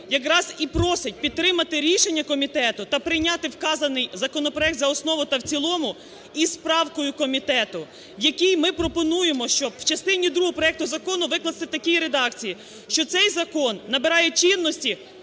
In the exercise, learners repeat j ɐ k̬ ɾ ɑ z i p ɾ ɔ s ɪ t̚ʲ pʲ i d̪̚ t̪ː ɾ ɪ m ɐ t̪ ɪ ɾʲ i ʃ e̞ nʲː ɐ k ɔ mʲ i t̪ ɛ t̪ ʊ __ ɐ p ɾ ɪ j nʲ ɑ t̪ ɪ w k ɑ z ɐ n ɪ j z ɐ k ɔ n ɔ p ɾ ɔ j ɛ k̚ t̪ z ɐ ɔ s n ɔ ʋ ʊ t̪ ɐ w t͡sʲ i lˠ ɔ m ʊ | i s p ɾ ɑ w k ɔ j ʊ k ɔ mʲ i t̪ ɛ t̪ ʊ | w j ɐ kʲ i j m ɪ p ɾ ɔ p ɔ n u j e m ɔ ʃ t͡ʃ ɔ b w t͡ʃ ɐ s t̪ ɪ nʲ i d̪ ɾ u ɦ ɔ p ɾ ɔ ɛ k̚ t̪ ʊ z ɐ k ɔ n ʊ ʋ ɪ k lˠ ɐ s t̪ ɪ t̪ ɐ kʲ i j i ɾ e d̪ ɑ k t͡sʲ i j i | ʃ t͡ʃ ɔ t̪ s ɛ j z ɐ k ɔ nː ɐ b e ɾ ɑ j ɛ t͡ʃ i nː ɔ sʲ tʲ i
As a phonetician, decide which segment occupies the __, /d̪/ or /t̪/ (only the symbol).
t̪